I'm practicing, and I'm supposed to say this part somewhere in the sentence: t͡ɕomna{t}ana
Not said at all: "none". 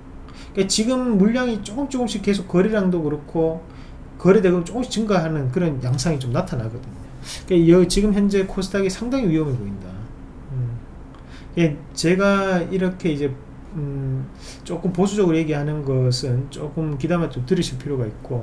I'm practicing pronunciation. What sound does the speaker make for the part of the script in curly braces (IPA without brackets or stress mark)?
tʰ